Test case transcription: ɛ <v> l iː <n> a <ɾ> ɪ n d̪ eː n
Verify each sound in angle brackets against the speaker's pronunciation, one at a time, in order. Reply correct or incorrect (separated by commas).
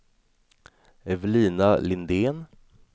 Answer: correct, correct, incorrect